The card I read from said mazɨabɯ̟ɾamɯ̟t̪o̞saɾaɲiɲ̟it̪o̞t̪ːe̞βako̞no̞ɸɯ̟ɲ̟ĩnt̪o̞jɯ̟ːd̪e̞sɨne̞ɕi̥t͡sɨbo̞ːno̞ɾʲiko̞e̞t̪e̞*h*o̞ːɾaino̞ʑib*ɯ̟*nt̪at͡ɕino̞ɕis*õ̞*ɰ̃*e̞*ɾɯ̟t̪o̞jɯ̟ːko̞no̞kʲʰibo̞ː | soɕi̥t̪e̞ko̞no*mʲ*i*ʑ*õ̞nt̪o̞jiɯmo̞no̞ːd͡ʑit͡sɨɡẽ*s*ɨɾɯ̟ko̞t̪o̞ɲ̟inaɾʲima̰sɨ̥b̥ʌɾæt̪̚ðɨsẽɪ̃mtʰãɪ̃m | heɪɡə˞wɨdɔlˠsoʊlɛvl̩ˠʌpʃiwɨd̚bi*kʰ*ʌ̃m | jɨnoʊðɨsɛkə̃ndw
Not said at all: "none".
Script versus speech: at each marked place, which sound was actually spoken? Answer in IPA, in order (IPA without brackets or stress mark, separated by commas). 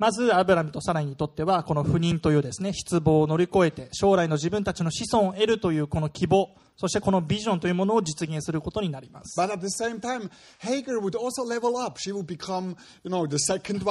ɕ, ɯ̟̃, õ̞, e̞, bʲ, ʑ, s, kʰ